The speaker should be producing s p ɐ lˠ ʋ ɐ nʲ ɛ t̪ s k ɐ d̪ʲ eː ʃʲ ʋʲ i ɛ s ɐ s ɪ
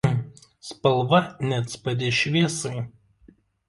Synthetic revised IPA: s p ɐ lˠ ʋ ɐ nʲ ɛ t̪ s p ɐ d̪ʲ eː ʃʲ ʋʲ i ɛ s ɐ ɪ